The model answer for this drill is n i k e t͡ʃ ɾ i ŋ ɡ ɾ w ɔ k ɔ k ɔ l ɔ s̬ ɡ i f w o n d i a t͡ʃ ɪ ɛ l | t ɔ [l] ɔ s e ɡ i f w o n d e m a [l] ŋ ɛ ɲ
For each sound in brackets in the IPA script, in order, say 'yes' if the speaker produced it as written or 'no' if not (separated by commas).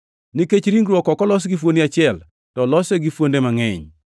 yes, no